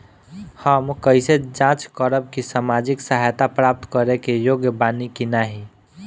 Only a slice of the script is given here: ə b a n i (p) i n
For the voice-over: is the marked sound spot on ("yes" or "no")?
no